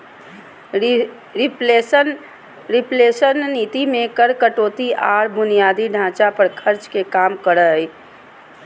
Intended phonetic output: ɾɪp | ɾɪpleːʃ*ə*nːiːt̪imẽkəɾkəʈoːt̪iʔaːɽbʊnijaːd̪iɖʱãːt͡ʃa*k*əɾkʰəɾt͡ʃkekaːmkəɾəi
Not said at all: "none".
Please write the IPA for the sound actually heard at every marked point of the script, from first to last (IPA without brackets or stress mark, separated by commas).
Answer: ə, p